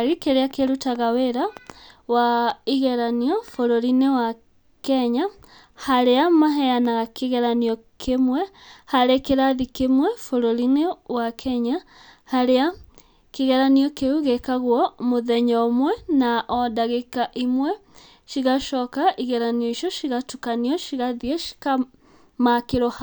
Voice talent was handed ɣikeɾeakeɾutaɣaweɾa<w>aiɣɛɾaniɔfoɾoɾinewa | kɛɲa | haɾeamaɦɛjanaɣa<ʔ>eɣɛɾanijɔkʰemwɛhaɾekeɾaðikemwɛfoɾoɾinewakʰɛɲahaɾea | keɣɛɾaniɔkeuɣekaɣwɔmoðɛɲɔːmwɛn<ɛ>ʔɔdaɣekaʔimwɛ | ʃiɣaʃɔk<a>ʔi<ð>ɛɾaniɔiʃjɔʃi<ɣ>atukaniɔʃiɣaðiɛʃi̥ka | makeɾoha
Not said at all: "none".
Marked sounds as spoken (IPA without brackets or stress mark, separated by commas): w, k, a, a, ɣ, ɣ